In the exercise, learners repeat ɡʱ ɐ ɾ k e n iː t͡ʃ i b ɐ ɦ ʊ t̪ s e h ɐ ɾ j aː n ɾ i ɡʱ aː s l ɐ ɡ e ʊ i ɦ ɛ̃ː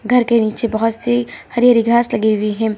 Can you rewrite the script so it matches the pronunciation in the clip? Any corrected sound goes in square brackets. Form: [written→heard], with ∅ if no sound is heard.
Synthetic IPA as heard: ɡʱ ɐ ɾ k e n iː t͡ʃ [i→e] b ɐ ɦ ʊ t̪ s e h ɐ ɾ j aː [n→∅] ɾ i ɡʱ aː s l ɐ ɡ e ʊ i ɦ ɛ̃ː

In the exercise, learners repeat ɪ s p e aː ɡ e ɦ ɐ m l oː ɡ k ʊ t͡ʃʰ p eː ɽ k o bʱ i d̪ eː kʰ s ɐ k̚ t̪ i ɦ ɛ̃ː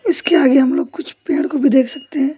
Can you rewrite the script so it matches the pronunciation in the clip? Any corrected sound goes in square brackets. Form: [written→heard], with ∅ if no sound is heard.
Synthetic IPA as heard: ɪ s [p→k] e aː ɡ e ɦ ɐ m l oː ɡ k ʊ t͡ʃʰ p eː ɽ k o bʱ i d̪ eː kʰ s ɐ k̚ t̪ [i→e] ɦ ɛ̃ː

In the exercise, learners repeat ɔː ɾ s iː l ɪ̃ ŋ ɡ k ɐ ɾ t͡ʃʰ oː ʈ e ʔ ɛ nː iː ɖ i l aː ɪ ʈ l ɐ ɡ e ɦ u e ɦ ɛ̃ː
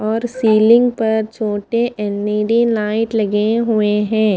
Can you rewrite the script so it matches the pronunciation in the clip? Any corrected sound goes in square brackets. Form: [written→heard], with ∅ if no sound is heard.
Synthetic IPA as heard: ɔː ɾ s iː l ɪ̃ ŋ ɡ [k→p] ɐ ɾ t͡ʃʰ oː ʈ e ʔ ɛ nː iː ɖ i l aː ɪ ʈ l ɐ ɡ e ɦ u e ɦ ɛ̃ː

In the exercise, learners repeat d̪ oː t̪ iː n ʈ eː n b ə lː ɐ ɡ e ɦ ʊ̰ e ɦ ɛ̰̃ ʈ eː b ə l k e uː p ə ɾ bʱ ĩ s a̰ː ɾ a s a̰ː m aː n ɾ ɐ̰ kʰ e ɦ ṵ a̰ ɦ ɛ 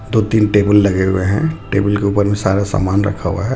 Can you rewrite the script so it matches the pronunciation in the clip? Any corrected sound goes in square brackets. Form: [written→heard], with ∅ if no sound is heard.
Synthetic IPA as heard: d̪ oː t̪ iː n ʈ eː [n→∅] b ə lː ɐ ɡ e ɦ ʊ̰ e ɦ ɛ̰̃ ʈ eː b ə l k e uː p ə ɾ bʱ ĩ s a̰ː ɾ a s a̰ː m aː n ɾ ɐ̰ kʰ [e→a] ɦ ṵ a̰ ɦ ɛ

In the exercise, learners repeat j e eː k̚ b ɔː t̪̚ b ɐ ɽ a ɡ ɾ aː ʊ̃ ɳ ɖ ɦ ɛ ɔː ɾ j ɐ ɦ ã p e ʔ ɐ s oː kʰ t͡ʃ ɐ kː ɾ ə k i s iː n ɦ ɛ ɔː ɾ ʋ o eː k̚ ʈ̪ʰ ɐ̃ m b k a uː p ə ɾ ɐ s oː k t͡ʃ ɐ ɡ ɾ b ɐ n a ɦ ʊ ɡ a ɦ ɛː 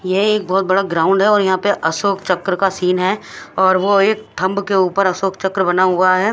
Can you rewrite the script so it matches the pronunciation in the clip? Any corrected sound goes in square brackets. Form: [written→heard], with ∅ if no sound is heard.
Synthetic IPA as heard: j e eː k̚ b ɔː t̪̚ b ɐ ɽ a ɡ ɾ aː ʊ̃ ɳ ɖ ɦ ɛ ɔː ɾ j ɐ ɦ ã p e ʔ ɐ s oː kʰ t͡ʃ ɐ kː ɾ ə k [i→a] s iː n ɦ ɛ ɔː ɾ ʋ o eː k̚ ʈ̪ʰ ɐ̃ m b k [a→e] uː p ə ɾ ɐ s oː k t͡ʃ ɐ [ɡ→k] ɾ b ɐ n a ɦ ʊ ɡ a ɦ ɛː

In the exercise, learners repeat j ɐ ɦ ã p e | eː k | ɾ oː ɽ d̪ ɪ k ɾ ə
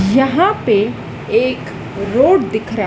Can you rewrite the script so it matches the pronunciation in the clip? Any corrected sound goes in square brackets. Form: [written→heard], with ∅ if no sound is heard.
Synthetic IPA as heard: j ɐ ɦ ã p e | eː k | ɾ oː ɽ d̪ ɪ [k→kʰ] ɾ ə

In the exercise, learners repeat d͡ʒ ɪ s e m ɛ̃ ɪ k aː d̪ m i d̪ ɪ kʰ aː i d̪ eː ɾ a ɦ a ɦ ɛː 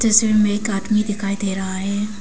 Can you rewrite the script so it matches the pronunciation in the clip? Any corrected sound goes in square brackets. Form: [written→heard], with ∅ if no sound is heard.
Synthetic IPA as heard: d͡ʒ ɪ s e m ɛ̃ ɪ k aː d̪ m i d̪ ɪ kʰ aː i d̪ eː ɾ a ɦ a ɦ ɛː

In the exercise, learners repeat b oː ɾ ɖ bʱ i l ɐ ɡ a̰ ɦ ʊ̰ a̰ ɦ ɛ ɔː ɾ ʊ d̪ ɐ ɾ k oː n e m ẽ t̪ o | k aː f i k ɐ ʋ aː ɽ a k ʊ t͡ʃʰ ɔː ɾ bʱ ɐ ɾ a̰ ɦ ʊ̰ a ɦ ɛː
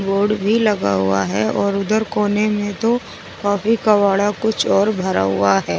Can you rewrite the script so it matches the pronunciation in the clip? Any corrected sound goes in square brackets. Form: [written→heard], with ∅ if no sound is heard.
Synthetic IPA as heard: b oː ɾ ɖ bʱ i l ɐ ɡ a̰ ɦ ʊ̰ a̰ ɦ ɛ ɔː ɾ ʊ d̪ [ɐ→ə] ɾ k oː n e m ẽ t̪ o | k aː f i k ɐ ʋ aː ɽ a k ʊ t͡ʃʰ ɔː ɾ bʱ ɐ ɾ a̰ ɦ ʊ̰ a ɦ ɛː

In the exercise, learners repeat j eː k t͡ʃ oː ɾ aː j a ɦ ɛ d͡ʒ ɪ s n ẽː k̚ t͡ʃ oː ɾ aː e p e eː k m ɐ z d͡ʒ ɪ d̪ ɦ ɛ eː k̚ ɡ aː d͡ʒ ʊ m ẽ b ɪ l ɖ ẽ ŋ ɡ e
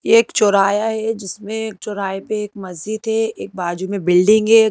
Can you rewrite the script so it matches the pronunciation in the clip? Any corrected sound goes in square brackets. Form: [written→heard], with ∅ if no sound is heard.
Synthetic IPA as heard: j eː k t͡ʃ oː ɾ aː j a ɦ ɛ d͡ʒ ɪ s [n→m] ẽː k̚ t͡ʃ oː ɾ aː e p e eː k m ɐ z d͡ʒ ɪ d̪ ɦ ɛ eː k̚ [ɡ→b] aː d͡ʒ [ʊ→u] m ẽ b ɪ l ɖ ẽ ŋ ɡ e

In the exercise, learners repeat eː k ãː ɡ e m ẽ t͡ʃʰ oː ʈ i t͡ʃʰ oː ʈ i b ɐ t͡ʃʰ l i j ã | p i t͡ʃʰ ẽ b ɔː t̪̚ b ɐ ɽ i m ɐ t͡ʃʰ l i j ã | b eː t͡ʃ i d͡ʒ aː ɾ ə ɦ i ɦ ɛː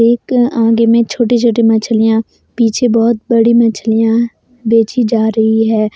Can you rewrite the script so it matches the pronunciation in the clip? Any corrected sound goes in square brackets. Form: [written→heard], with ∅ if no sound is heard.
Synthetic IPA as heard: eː k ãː ɡ e m ẽ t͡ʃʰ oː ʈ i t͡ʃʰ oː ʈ i [b→m] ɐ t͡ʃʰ l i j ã | p [i→iː] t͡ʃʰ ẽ b ɔː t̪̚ b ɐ ɽ i m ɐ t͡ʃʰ l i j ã | b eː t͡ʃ i d͡ʒ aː ɾ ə ɦ i ɦ ɛː

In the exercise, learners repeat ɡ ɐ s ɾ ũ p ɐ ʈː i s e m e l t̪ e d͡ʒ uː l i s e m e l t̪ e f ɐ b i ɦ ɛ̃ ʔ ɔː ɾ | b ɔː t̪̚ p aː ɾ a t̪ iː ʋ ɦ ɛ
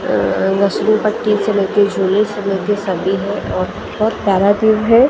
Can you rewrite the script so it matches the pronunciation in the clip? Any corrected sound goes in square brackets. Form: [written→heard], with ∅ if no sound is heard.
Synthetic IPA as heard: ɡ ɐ s ɾ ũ p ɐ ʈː i s e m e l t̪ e d͡ʒ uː l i s e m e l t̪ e [f→s] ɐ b i ɦ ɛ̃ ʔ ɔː ɾ | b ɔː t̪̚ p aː ɾ a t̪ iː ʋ ɦ ɛ

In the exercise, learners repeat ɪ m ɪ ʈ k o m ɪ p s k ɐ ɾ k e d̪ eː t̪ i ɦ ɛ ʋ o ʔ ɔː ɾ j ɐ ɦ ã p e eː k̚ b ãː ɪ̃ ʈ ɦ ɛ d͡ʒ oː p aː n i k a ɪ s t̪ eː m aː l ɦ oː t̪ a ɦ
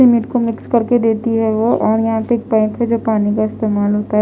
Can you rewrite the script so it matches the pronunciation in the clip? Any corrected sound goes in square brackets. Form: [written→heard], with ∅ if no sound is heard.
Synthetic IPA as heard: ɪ m ɪ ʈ k o m ɪ [p→k] s k ɐ ɾ k e d̪ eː t̪ i ɦ ɛ ʋ o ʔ ɔː ɾ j ɐ ɦ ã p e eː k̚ [b→p] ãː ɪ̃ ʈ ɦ ɛ d͡ʒ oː p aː n i k a ɪ s t̪ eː m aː l ɦ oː t̪ a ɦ

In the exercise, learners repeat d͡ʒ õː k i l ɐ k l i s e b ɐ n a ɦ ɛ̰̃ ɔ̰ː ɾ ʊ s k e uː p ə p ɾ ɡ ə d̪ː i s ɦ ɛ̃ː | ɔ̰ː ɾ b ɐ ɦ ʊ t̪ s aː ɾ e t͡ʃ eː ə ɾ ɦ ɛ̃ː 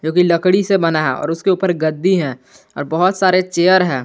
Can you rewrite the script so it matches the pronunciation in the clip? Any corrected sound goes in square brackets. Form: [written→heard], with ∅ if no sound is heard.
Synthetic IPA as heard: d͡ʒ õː k i l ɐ k [l→ɽ] i s e b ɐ n a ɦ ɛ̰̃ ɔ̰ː ɾ ʊ s k e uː p ə [p→∅] ɾ ɡ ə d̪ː i [s→∅] ɦ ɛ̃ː | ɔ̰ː ɾ b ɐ ɦ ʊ t̪ s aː ɾ e t͡ʃ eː ə ɾ ɦ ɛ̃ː

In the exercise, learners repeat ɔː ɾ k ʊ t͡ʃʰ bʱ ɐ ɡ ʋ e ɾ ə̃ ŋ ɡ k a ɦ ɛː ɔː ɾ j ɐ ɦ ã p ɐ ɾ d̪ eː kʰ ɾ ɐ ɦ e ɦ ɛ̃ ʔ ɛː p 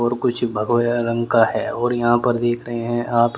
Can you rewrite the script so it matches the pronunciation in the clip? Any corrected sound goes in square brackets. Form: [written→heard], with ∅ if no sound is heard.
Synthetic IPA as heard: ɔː ɾ k ʊ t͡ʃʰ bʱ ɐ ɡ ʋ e ɾ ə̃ ŋ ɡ k a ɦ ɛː ɔː ɾ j ɐ ɦ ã p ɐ ɾ d̪ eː kʰ ɾ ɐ ɦ e ɦ ɛ̃ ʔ [ɛː→aː] p

